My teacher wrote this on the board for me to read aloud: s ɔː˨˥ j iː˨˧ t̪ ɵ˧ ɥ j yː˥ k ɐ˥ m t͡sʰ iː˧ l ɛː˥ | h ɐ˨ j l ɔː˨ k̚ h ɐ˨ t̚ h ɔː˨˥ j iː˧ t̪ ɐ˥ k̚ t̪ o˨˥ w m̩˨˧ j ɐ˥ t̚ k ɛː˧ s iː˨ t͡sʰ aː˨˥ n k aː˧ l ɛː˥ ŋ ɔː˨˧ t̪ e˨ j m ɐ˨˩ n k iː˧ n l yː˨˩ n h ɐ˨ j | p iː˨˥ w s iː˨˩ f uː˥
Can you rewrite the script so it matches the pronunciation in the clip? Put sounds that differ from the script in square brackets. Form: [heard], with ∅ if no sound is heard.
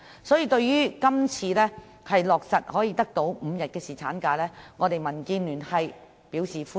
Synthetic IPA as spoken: s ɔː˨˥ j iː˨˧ t̪ ɵ˧ ɥ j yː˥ k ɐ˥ m t͡sʰ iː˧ l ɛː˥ | h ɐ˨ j l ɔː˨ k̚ [s] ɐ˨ t̚ h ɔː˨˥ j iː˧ t̪ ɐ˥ k̚ t̪ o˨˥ w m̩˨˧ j [ɐ˨] t̚ k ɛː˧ s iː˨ t͡sʰ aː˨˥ n k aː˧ l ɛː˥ ŋ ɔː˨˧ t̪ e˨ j m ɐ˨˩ n k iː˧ n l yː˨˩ n h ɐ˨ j | p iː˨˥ w s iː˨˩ f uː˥